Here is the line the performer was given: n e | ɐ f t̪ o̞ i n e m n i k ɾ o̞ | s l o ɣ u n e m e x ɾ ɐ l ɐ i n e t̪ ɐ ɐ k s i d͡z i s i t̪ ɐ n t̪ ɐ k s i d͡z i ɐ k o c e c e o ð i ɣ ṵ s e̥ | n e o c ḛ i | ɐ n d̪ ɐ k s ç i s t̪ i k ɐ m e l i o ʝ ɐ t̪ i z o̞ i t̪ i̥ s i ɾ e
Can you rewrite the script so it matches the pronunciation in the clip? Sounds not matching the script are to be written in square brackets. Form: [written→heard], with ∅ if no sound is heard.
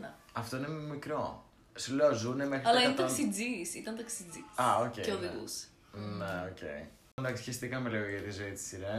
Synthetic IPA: n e | ɐ f t̪ o̞ i n e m [n→m] i k ɾ o̞ | s l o [ɣ→z] u n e m e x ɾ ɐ l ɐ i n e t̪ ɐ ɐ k s i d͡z i s i t̪ ɐ n t̪ ɐ k s i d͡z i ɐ [k→∅] o c e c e o ð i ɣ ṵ s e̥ | n e o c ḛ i | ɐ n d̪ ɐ k s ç i s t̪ i k ɐ m e l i o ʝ ɐ t̪ i z o̞ i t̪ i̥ s i ɾ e